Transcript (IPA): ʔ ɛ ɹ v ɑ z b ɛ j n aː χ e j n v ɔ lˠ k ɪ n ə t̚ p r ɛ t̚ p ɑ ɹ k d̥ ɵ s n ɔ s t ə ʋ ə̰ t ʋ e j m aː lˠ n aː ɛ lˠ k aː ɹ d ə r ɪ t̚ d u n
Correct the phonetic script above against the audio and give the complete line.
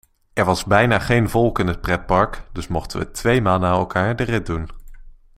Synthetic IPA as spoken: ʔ ɛ ɹ ʋ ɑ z b ɛ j n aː χ e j n v ɔ lˠ k ɪ n ə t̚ p r ɛ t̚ p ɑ ɹ k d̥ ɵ s m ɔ χ t ə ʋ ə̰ t ʋ e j m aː lˠ n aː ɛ lˠ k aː ɹ d ə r ɪ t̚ d u n